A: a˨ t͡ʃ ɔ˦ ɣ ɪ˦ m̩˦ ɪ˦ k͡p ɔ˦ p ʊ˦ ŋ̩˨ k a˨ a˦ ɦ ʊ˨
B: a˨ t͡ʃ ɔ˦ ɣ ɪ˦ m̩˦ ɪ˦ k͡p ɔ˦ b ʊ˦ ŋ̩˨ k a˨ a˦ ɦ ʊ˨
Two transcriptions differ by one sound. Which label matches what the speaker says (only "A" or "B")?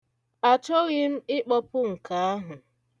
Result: A